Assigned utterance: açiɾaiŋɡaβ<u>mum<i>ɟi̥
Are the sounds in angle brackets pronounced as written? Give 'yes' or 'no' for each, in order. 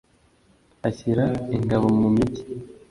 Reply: no, yes

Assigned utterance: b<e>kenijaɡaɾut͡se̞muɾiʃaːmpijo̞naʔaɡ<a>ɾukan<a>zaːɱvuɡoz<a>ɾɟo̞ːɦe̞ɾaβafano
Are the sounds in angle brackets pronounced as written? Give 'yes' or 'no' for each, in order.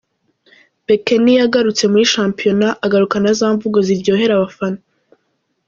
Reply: yes, yes, yes, no

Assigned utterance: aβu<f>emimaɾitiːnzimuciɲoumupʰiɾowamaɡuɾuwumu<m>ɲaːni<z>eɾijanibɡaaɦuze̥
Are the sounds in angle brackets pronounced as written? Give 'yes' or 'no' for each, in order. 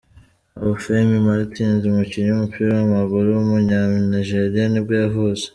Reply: yes, no, no

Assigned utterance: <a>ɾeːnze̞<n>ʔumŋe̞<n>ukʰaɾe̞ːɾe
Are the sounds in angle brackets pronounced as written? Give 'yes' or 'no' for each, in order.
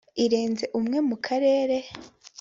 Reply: no, no, no

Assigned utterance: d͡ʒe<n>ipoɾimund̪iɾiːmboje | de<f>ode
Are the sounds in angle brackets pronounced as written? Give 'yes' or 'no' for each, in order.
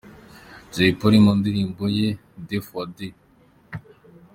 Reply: no, yes

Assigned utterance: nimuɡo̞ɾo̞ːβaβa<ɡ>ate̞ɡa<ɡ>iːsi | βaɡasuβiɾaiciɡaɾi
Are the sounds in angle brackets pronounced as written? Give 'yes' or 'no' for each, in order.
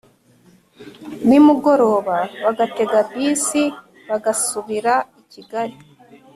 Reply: yes, no

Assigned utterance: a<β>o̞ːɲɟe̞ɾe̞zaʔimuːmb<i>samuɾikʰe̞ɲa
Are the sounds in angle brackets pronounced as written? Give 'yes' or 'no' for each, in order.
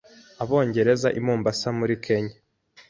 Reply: yes, no

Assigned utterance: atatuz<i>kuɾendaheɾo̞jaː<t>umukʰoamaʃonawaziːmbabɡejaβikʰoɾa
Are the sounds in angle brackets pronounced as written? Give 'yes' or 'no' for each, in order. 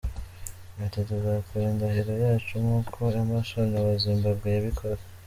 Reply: no, no

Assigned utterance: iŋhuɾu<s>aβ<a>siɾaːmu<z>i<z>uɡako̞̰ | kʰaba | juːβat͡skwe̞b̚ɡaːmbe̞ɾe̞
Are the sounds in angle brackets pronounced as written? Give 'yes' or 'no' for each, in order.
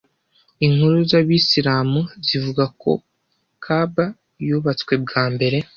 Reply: no, no, yes, no

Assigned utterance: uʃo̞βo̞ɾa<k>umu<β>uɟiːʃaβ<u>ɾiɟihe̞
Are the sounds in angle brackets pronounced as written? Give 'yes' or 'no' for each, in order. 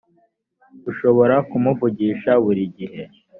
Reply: yes, no, yes

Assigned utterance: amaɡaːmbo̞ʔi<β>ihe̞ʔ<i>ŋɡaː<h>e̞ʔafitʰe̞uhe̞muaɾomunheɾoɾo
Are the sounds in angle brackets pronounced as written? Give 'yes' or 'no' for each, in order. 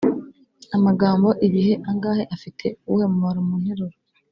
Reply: yes, no, yes

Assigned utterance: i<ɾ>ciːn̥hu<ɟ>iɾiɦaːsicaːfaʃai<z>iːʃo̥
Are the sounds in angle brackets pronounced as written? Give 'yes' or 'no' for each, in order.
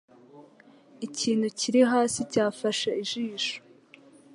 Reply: no, no, no

